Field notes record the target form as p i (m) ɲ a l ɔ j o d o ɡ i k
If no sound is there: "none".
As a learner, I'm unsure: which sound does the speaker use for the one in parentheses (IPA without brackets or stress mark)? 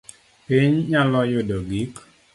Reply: ɲ